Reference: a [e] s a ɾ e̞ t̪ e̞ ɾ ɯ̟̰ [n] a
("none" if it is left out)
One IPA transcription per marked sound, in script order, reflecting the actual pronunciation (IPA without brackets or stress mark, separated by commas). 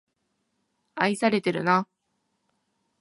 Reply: i, n